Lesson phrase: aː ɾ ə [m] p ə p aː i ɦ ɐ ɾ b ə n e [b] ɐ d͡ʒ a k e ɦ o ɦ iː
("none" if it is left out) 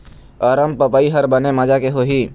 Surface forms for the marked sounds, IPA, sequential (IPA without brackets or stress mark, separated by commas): m, m